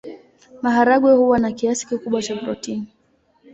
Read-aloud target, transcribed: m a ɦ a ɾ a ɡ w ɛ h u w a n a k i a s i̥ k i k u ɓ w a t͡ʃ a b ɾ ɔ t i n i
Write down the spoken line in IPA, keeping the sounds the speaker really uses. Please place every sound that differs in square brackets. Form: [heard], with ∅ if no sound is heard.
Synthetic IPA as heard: m a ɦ a ɾ a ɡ w ɛ h u w a n a k i a s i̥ k i k u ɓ w a t͡ʃ a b ɾ ɔ t i n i

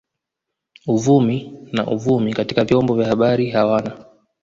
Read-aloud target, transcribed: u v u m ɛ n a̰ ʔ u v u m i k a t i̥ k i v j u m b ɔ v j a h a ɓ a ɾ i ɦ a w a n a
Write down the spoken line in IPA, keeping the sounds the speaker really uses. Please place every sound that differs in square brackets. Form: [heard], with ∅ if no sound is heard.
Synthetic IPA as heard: u v u m [i] n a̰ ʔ u v u m i k a t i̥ k [a] v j [ɔ] m b ɔ v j a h a ɓ a ɾ i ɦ a w a n a

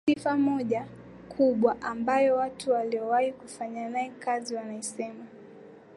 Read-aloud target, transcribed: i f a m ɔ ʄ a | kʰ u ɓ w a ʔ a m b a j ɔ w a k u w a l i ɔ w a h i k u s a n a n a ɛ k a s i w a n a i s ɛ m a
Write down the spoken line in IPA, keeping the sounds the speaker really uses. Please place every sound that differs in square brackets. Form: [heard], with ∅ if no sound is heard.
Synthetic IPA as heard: i f a m ɔ ʄ a | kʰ u ɓ w a ʔ a m b a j ɔ w a [t] u w a l i ɔ w a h i k u [f] a [ɲ] a n a ɛ k a [z] i w a n a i s ɛ m a

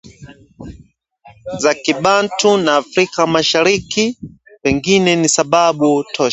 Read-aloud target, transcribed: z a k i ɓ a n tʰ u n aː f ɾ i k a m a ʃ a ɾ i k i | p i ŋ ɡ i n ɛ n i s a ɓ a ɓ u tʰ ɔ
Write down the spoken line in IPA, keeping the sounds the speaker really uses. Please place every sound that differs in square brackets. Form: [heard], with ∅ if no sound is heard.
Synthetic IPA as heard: z a k i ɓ a n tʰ u n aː f ɾ i k a m a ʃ a ɾ i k i | p [ɛ] ŋ ɡ i n ɛ n i s a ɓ a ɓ u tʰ ɔ

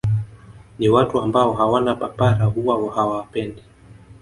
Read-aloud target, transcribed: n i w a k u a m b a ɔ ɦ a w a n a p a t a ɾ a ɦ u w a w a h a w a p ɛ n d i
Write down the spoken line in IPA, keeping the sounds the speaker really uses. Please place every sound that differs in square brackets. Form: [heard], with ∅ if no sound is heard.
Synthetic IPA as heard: n i w a [t] u a m b a ɔ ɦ a w a n a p a [p] a ɾ a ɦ u w a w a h a w a p ɛ n d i

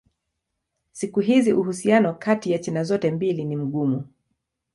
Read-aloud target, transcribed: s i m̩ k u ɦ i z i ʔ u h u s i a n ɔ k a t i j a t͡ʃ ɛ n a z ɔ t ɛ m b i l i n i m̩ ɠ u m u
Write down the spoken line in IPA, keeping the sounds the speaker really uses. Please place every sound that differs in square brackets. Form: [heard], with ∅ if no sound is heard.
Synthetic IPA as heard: s i [∅] k u ɦ i z i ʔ u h u s i a n ɔ k a t i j a t͡ʃ ɛ n a z ɔ t ɛ m b i l i n i m̩ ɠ u m u

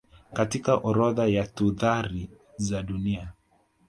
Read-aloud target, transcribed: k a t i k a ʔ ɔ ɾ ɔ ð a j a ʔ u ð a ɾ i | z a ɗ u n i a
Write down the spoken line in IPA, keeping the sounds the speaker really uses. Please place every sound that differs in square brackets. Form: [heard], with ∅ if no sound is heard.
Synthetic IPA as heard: k a t i k a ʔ ɔ ɾ ɔ ð a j a [t] u ð a ɾ i | z a ɗ u n i a

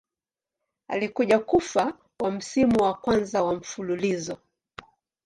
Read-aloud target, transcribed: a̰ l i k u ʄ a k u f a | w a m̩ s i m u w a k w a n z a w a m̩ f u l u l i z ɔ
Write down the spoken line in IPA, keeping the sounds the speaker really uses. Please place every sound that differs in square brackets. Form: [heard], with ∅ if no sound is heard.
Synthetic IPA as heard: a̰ l i k u ʄ a k u f a | w a m̩ s i m u w a k w a n z a w a m̩ f u l u l i z ɔ

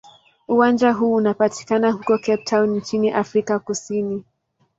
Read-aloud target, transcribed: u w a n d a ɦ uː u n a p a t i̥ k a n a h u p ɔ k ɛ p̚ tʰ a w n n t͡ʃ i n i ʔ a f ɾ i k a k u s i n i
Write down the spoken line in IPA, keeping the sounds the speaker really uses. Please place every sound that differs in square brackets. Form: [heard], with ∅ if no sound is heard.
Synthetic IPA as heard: u w a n [d͡ʒ] a ɦ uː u n a p a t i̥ k a n a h u [k] ɔ k ɛ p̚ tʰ a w n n t͡ʃ i n i ʔ a f ɾ i k a k u s i n i

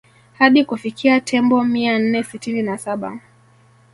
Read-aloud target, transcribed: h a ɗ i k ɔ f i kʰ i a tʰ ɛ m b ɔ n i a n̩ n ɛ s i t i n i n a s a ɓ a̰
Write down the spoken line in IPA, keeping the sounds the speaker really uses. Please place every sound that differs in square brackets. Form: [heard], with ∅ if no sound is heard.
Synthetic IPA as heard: h a ɗ i k [u] f i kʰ i a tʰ ɛ m b ɔ [m] i a n̩ n ɛ s i t i n i n a s a ɓ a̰

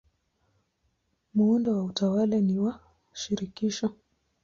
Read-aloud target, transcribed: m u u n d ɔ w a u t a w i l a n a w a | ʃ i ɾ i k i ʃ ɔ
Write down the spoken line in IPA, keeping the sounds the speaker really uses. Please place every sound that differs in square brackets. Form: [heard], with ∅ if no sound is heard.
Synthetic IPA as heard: m u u n d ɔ w a u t a w [a] l a n [i] w a | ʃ i ɾ i k i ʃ ɔ

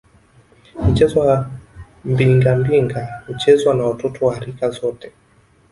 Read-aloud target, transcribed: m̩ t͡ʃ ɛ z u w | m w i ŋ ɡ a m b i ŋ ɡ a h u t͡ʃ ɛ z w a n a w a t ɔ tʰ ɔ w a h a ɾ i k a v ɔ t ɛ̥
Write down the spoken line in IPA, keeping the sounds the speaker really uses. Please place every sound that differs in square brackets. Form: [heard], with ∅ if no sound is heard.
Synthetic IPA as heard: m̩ t͡ʃ ɛ z [ɔ] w | m [b] i ŋ ɡ a m b i ŋ ɡ a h u t͡ʃ ɛ z w a n a w a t ɔ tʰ ɔ w a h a ɾ i k a [z] ɔ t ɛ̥

